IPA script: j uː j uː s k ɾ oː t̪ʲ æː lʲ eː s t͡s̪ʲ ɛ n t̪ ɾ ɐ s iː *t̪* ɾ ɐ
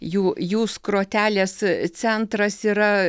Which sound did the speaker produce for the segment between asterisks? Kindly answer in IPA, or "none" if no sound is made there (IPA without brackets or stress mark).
none